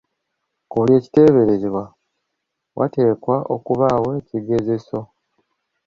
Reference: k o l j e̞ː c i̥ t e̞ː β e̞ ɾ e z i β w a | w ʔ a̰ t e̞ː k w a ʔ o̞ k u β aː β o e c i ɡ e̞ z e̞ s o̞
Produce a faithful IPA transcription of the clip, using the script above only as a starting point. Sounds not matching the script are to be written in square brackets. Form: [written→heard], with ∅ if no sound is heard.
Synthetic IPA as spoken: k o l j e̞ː c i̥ t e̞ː β e̞ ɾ e z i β w a | w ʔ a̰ t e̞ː k w a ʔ o̞ k u β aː [β→w] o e c i ɡ e̞ z e̞ s o̞

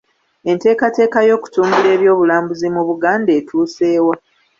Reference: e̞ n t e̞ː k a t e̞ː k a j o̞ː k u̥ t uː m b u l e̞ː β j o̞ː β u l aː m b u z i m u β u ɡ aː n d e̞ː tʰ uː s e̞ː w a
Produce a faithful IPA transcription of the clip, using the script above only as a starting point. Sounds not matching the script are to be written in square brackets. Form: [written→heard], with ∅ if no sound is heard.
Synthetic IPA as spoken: e̞ n t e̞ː k a t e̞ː k a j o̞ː k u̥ t uː m b u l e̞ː β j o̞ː β u l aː m b u z i m u β u ɡ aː n d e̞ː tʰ uː s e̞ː w a

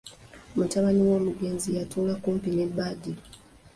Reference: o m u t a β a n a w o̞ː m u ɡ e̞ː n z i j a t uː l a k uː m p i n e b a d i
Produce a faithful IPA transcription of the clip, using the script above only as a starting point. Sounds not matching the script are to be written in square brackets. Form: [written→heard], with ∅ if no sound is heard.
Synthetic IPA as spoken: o m u t a β a n [a→i] w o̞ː m u ɡ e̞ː n z i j a t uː l a k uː m p i n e b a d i

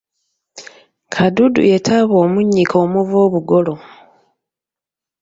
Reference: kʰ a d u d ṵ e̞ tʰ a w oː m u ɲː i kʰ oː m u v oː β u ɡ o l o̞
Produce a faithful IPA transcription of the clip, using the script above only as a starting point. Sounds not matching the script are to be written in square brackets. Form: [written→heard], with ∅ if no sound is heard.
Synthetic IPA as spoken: kʰ a d u d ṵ e̞ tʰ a [w→β] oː m u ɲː i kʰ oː m u v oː β u ɡ o l o̞

